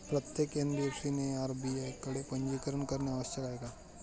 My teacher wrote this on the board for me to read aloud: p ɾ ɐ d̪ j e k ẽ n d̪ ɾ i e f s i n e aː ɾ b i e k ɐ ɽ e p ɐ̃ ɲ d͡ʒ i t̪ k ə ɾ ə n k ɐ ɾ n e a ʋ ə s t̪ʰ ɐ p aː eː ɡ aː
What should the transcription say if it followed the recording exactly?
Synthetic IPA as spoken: p ɾ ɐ t̪ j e k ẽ n d̪ ɾ i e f s i n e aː ɾ b i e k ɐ ɽ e p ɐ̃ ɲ d͡ʒ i k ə ɾ ə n k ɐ ɾ n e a ʋ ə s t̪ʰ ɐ k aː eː ɡ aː